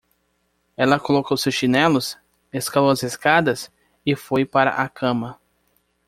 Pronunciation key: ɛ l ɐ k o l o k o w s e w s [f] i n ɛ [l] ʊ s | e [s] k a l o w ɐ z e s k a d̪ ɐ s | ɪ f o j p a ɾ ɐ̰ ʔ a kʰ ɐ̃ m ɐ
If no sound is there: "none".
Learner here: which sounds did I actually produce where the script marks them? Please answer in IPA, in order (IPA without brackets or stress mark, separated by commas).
ʃ, l, s